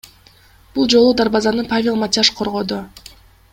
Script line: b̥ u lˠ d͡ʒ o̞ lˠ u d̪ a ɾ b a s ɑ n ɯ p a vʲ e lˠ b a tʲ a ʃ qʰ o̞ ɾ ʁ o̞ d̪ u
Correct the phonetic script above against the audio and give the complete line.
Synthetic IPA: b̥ u lˠ d͡ʒ o̞ lˠ u d̪ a ɾ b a z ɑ n ɯ p a vʲ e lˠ m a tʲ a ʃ qʰ o̞ ɾ ʁ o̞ d̪ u